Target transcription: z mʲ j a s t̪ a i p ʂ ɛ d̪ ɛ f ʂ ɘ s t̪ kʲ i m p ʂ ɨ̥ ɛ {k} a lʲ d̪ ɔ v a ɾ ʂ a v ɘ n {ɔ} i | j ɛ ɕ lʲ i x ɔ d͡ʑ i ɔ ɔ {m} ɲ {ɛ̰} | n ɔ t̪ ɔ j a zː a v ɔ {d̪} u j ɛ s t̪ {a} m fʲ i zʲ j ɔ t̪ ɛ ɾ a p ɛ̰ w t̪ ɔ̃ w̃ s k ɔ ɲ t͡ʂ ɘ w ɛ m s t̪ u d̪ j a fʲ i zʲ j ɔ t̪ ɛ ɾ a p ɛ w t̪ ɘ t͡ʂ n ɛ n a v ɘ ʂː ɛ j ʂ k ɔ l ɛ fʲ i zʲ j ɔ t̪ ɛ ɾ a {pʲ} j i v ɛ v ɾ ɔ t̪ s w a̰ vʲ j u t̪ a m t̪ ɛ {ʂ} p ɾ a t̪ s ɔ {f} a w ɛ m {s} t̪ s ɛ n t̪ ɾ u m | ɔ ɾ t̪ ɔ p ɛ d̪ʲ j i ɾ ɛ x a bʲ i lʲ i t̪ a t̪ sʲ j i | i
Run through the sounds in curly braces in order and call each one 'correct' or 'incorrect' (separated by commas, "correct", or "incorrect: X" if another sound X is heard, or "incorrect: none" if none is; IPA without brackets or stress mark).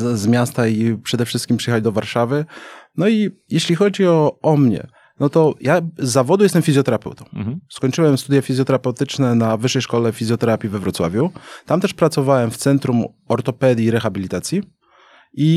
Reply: incorrect: x, correct, correct, correct, correct, incorrect: ɛ, correct, correct, incorrect: v, incorrect: f